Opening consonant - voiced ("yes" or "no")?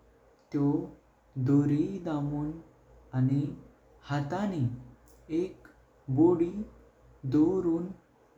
no